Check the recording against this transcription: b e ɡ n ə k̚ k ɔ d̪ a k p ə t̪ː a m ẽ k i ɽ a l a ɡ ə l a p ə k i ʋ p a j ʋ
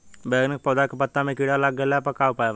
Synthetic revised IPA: b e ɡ n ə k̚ p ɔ d̪ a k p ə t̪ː a m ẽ k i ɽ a l a ɡ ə l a p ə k a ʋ p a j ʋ